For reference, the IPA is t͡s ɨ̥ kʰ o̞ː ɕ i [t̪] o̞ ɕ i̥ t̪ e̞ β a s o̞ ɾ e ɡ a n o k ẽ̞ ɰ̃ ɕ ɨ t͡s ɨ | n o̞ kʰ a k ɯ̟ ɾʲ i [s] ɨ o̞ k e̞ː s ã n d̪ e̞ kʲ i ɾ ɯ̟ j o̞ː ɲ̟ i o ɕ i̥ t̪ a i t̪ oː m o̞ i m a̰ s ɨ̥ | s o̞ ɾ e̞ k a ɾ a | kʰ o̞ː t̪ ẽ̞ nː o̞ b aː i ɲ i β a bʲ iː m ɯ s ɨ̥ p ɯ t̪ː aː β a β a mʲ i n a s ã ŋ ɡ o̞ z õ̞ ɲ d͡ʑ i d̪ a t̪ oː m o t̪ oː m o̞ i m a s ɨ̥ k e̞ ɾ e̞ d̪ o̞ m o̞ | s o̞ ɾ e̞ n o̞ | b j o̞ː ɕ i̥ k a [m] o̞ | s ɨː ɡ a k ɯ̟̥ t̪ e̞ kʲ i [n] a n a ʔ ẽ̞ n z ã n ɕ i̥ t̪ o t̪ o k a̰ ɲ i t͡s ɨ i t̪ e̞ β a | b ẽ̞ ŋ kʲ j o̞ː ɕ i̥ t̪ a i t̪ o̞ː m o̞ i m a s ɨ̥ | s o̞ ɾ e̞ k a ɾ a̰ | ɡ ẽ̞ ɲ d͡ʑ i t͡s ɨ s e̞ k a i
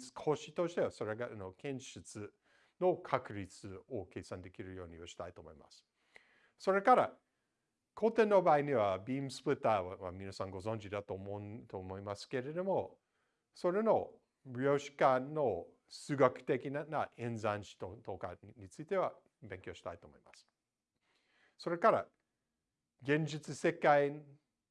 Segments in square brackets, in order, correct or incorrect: correct, incorrect: t͡s, incorrect: n, correct

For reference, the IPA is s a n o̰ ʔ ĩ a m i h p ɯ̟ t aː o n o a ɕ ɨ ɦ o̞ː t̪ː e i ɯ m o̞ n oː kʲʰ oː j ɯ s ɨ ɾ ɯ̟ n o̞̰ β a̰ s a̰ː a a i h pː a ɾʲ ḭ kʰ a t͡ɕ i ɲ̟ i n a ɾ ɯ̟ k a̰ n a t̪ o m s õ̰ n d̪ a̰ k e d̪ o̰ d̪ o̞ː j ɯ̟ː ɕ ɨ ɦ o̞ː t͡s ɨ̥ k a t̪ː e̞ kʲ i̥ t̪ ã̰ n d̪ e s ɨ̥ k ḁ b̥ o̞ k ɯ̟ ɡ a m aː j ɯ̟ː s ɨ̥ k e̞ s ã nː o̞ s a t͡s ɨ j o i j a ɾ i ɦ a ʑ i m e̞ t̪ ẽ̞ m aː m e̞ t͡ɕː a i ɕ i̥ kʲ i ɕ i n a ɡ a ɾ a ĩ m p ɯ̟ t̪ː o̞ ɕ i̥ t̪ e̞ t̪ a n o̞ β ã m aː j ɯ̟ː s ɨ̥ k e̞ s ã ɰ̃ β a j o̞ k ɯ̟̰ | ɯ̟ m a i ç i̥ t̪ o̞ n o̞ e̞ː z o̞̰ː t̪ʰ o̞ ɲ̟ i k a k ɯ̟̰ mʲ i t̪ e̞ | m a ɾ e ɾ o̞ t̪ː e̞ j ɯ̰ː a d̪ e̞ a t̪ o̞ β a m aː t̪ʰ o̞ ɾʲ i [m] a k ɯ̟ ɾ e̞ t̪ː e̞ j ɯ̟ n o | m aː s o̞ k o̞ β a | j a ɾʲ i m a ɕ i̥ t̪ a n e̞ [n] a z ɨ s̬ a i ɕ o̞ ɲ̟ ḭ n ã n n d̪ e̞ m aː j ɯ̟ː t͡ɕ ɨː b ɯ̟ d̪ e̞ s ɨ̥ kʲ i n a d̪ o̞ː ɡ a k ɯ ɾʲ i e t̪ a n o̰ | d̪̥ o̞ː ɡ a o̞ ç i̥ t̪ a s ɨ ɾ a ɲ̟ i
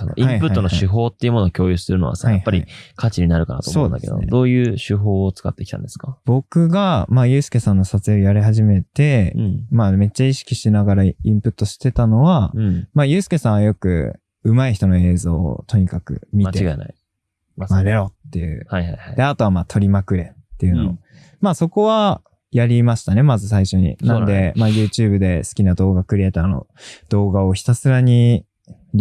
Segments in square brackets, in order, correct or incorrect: correct, incorrect: m

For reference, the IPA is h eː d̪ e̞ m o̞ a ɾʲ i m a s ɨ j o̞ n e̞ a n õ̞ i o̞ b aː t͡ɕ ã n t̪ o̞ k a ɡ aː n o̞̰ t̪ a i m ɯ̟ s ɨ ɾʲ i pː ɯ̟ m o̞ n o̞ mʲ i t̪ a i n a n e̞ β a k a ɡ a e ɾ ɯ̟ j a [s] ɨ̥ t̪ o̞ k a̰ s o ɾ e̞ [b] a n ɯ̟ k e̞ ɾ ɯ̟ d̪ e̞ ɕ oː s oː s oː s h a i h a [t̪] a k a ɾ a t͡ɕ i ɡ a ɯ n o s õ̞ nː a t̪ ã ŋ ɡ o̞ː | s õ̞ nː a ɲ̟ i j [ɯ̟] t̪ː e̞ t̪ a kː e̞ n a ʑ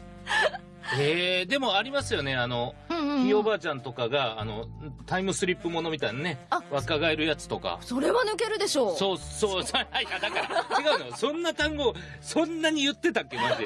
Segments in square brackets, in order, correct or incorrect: incorrect: t͡s, incorrect: β, incorrect: d̪, correct

